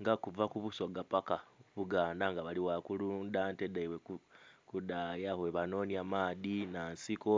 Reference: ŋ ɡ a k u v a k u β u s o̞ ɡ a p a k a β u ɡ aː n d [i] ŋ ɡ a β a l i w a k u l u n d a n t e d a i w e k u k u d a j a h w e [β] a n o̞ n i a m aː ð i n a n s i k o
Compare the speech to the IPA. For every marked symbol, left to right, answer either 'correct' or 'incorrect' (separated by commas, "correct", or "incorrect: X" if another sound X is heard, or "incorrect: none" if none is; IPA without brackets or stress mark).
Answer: incorrect: a, correct